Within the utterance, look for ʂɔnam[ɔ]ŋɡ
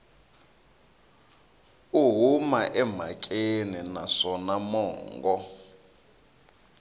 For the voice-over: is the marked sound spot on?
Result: no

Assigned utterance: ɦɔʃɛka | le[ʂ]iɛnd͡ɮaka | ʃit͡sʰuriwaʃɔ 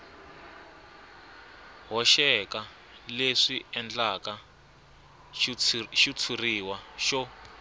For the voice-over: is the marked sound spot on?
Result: yes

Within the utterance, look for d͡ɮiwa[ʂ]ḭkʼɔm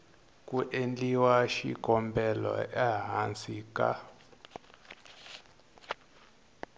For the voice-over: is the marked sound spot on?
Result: no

